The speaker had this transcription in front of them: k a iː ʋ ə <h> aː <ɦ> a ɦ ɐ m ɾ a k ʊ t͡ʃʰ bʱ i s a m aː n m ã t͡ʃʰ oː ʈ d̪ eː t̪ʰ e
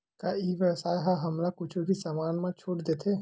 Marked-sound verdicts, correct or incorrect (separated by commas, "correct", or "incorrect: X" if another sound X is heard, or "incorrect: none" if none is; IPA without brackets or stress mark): incorrect: s, correct